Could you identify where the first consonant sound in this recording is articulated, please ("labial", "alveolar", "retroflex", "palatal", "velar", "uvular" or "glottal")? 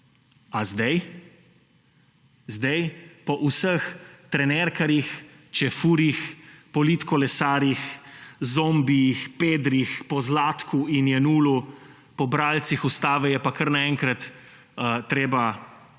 alveolar